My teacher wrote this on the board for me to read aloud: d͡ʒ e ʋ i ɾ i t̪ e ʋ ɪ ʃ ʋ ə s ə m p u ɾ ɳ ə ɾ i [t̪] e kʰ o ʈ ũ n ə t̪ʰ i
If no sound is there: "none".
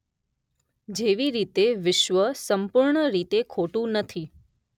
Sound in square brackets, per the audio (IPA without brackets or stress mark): t̪